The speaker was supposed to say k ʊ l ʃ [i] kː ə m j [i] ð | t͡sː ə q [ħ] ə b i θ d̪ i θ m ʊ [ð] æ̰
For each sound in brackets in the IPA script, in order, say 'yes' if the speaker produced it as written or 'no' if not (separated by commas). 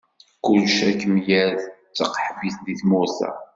no, no, yes, no